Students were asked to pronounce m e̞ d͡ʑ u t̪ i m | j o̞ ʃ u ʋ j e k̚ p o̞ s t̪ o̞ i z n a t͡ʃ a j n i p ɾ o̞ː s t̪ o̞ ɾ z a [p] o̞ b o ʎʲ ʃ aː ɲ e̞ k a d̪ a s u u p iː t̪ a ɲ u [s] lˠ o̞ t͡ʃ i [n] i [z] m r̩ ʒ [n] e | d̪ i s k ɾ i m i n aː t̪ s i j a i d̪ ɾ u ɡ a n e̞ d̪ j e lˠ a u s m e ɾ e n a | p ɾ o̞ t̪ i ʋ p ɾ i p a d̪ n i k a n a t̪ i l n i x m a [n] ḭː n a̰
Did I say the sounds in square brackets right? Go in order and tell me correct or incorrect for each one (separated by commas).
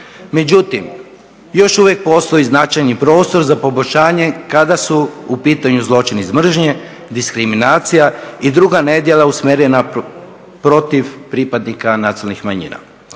correct, incorrect, correct, correct, incorrect, incorrect